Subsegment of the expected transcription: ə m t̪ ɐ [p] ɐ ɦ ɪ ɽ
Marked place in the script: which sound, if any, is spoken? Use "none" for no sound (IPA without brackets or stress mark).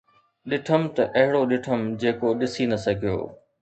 ʔ